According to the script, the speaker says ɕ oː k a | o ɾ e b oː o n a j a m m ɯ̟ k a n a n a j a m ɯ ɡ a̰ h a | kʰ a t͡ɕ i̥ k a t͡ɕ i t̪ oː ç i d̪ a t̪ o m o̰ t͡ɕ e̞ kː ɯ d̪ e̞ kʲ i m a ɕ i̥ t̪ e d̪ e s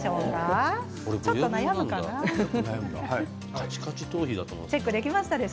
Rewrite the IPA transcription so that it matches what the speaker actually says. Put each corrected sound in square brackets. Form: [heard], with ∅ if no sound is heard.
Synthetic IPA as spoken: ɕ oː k a | o ɾ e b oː o n a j a m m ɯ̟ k a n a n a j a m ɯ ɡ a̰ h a | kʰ a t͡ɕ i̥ k a t͡ɕ i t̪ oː ç i d̪ a t̪ o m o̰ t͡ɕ e̞ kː ɯ d̪ e̞ kʲ i m a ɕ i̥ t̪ [a] d̪ e s